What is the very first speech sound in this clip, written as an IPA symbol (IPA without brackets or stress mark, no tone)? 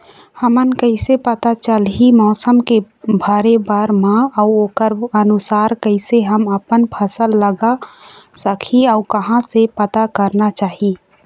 h